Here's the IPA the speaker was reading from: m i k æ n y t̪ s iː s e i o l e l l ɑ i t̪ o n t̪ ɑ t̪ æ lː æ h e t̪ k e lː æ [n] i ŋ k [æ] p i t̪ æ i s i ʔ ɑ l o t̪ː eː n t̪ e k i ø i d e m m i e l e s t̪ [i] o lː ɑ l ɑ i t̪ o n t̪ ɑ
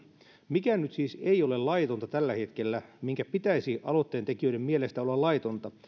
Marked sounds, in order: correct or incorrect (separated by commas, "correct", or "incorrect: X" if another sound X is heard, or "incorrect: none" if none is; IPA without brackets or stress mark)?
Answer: incorrect: m, correct, incorrect: æ